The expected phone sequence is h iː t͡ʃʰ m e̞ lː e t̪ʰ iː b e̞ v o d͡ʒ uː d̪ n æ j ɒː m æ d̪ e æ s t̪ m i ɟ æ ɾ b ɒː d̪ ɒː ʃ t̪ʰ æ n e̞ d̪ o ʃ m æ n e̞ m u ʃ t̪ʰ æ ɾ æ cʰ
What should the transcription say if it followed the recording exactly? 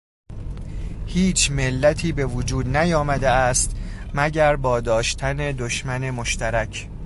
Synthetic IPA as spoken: h iː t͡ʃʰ m e̞ lː æ t̪ʰ iː b e̞ v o d͡ʒ uː d̪ n æ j ɒː m æ d̪ e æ s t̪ m æ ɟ æ ɾ b ɒː d̪ ɒː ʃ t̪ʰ æ n e̞ d̪ o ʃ m æ n e̞ m o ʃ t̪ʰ æ ɾ æ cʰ